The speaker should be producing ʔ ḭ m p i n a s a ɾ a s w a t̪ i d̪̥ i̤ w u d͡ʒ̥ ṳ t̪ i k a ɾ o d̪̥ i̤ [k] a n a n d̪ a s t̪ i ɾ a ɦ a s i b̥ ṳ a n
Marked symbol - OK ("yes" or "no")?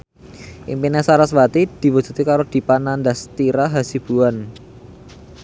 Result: no